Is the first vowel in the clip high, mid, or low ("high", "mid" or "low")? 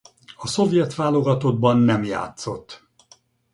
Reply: low